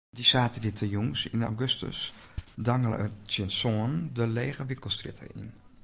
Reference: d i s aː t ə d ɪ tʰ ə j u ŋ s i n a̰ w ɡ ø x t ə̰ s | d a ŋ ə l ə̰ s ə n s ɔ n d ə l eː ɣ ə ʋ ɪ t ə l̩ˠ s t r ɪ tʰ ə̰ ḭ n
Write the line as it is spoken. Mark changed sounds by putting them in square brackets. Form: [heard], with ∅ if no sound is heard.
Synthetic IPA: d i s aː t ə d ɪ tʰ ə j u ŋ s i n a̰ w ɡ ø [s] t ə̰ s | d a ŋ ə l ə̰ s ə n s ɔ n d ə l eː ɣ ə ʋ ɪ [k] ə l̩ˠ s t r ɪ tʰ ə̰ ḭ n